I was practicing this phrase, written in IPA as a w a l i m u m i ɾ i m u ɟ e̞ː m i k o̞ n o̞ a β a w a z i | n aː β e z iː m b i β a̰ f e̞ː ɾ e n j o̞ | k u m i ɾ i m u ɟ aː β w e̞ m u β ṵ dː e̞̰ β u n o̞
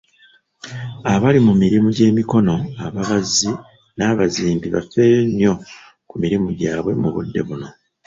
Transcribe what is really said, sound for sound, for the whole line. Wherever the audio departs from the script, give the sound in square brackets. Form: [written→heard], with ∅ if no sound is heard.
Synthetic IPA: a [w→β] a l i m u m i ɾ i m u ɟ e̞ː m i k o̞ n o̞ a β a [w→β] a z i | n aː β [e→a] z iː m b i β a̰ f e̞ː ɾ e n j o̞ | k u m i ɾ i m u ɟ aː β w e̞ m u β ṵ dː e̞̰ β u n o̞